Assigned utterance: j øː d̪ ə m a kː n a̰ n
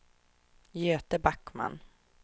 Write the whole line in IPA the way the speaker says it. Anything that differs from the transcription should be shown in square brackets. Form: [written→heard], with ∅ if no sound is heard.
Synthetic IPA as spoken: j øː [d̪→t̪] ə [m→b] a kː [n→m] a̰ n